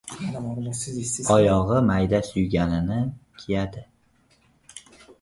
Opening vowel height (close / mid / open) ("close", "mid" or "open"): open